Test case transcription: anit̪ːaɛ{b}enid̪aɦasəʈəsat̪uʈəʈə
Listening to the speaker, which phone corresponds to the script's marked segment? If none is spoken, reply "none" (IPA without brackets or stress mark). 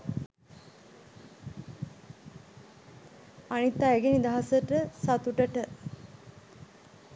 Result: ɡ